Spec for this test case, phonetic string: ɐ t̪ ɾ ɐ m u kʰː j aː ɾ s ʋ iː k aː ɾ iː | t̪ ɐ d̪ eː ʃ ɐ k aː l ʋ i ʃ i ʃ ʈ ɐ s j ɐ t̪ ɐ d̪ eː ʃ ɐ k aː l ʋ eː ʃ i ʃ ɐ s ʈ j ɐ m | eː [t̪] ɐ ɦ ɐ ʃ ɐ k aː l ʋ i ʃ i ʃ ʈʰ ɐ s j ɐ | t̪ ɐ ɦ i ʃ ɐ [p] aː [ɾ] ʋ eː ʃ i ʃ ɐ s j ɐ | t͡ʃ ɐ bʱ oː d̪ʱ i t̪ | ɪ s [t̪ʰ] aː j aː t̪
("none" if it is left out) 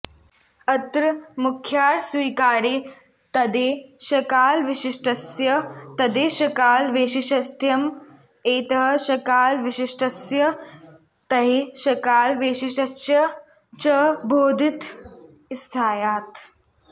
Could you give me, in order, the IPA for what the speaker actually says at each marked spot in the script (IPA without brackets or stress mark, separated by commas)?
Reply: t̪, k, l, t̪ʰ